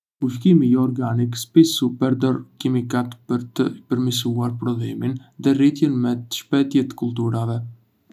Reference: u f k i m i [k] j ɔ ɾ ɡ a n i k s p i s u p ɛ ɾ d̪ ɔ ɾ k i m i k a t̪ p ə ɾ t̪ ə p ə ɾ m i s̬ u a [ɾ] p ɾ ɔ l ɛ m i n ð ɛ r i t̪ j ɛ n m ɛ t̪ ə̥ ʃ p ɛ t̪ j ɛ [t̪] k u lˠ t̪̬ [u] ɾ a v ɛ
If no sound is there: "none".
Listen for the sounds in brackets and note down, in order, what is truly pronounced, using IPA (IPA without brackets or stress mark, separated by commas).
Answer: none, ɾ, t̪, u